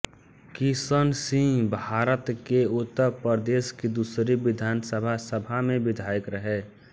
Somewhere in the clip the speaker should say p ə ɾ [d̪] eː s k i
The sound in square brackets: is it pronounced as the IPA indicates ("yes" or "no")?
yes